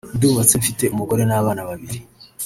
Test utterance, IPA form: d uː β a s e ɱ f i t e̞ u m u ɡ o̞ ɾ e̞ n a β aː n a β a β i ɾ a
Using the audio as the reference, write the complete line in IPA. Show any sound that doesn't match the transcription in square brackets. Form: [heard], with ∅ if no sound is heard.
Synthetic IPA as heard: d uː β a [t͡s] e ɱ f i t e̞ u m u ɡ o̞ ɾ e̞ n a β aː n a β a β i ɾ [i]

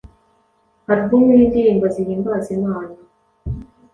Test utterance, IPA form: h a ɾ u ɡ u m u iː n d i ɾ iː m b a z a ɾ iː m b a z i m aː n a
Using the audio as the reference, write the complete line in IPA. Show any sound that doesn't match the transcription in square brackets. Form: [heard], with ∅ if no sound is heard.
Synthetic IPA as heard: h a ɾ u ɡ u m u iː n d i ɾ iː m b a z [i] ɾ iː m b a z i m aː n a

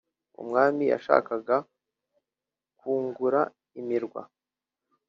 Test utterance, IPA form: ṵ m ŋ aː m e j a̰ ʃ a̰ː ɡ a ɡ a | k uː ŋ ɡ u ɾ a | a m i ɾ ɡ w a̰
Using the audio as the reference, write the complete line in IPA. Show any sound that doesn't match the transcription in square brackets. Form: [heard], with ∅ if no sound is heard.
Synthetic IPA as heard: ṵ m ŋ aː m [i] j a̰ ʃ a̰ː [k] a ɡ a | k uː ŋ ɡ u ɾ a | [i] m i ɾ ɡ w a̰

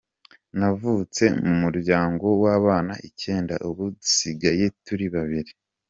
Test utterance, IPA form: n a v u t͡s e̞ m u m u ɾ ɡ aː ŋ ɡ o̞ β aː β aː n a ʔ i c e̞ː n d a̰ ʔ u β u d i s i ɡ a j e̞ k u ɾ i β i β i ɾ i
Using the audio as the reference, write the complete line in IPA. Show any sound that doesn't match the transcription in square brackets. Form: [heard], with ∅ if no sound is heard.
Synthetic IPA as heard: n a v u t͡s e̞ m u m u ɾ [ɟ] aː ŋ ɡ o̞ [w] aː β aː n a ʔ i c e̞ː n d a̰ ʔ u β u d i s i ɡ a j e̞ [t] u ɾ i β [a] β i ɾ i

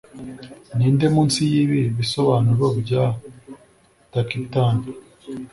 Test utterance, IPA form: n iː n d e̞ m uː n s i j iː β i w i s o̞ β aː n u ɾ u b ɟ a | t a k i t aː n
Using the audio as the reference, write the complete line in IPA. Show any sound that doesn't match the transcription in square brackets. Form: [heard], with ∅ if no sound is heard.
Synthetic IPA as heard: n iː n d e̞ m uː n s i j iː β i [β] i s o̞ β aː n u ɾ [o] b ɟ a | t a k i t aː n

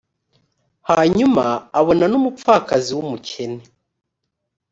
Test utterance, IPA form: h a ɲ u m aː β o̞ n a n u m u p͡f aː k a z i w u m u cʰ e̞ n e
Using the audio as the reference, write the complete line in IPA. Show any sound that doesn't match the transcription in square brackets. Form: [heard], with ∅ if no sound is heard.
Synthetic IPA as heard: h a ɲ u m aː β o̞ n a n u m u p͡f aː k a z i w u m u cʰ e̞ n e

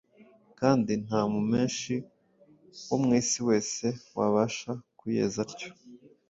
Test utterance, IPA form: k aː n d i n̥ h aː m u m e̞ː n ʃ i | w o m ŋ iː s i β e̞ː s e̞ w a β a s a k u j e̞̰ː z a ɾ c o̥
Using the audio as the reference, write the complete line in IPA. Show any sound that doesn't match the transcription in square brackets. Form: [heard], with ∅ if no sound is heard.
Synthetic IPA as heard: k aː n d i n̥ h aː m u m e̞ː n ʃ i | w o m ŋ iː s i [w] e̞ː s e̞ w a β a [ʃ] a k u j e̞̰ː z a ɾ c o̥

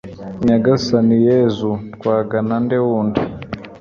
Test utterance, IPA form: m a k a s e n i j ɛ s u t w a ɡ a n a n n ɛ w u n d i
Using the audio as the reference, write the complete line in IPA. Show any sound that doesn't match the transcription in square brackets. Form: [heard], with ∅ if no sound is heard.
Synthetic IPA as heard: [ɲ] a [ɡ] a s [a] n i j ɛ [z] u [k] w a ɡ a n a n [d] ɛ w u n d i

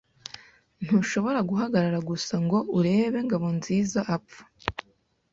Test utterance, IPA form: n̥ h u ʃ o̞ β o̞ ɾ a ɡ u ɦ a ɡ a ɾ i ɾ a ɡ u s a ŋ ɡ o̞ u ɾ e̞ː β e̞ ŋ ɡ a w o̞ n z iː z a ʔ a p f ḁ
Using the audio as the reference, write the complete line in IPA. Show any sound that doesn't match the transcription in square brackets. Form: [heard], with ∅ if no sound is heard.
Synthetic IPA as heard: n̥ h u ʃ o̞ β o̞ ɾ a ɡ u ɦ a ɡ a ɾ [a] ɾ a ɡ u s a ŋ ɡ o̞ u ɾ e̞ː β e̞ ŋ ɡ a [β] o̞ n z iː z a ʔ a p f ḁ

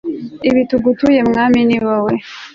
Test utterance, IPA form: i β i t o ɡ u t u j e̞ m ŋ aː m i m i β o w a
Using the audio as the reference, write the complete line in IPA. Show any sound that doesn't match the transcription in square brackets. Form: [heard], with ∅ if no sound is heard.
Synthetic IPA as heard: i β i t [u] ɡ u t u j e̞ m ŋ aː m i [n] i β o w [e]

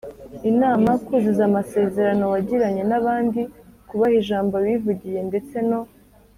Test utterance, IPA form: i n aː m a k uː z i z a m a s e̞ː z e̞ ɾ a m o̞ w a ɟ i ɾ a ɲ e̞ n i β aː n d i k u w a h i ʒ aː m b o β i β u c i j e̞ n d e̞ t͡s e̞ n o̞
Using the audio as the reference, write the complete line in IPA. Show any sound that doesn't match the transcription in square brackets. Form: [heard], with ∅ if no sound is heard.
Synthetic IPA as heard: i n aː m a k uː z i z a m a s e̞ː z e̞ ɾ a [n] o̞ w a ɟ i ɾ a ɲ e̞ n [a] β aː n d i k u [β] a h i ʒ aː m b o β i [v] u [ɟ] i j e̞ n d e̞ t͡s e̞ n o̞

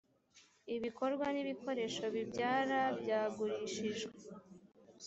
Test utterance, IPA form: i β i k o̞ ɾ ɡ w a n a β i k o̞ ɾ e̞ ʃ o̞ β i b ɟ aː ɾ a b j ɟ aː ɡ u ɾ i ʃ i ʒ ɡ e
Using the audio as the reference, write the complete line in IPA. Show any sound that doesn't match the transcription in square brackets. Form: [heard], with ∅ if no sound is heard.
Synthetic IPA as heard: i β i k o̞ ɾ ɡ w a n [i] β i k o̞ ɾ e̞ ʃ o̞ β i b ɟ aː ɾ a b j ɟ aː ɡ u ɾ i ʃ i ʒ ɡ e

